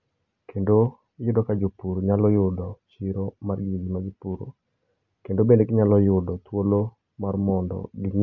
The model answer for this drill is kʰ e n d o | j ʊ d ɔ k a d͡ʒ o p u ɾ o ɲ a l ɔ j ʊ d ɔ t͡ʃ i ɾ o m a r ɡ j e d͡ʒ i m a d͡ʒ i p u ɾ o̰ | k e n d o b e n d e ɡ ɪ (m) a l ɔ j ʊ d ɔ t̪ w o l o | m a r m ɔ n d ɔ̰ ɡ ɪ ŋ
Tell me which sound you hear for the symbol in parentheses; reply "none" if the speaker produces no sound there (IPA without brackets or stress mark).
ɲ